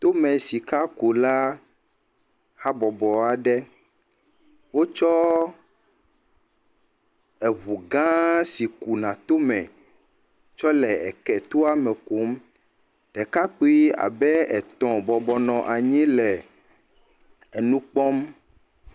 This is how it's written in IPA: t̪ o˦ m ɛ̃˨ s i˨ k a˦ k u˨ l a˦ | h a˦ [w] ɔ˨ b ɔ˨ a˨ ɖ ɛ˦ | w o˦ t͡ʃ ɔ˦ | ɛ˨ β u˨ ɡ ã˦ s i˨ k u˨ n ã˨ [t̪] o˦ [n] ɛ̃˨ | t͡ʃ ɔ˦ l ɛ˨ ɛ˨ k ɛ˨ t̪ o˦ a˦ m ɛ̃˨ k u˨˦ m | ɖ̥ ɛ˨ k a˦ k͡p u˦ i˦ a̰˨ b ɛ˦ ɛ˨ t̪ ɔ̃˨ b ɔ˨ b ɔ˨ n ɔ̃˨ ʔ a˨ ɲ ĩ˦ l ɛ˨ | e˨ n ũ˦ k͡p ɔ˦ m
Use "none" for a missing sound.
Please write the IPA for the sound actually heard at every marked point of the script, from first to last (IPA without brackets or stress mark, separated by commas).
b, t̪, m